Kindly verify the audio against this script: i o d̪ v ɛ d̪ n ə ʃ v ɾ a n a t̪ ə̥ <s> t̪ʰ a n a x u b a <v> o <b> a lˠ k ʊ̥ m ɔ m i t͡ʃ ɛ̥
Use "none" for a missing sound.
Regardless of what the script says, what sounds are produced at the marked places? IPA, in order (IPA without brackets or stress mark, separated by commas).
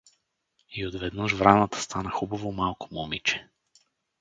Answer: s, v, m